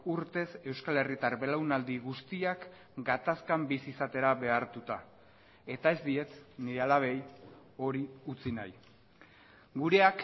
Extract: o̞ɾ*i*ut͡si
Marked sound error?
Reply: no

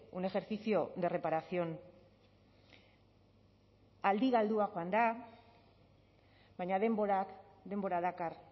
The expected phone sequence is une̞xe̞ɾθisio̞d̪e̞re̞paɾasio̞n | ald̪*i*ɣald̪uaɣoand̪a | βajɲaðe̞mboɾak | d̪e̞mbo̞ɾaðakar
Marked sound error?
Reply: no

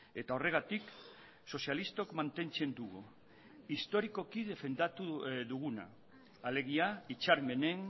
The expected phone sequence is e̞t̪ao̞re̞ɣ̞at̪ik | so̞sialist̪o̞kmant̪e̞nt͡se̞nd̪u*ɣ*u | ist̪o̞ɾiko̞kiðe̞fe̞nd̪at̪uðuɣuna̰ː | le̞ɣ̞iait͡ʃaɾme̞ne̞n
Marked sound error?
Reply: no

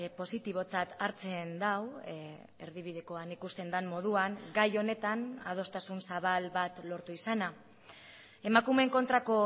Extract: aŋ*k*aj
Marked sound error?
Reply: yes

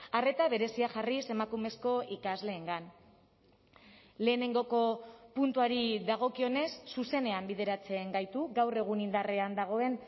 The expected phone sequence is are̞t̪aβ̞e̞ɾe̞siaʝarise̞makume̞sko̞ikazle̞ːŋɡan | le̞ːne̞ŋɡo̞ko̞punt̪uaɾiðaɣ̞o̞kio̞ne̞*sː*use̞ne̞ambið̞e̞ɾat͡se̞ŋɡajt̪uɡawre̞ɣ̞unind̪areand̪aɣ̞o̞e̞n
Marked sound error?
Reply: no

